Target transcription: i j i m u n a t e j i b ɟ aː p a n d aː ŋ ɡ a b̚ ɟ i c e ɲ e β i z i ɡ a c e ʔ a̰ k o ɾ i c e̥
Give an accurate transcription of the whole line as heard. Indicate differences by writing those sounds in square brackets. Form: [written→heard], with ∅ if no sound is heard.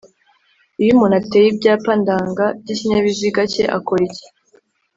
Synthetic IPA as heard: i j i m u n a t e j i b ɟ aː p a n d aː ŋ ɡ a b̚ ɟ i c [e→i] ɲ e β i z i ɡ a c e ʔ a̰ k o ɾ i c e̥